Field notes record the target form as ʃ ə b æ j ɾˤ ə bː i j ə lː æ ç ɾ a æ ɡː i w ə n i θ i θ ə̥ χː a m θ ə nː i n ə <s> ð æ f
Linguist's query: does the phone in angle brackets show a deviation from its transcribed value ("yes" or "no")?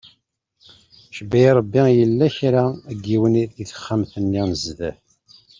yes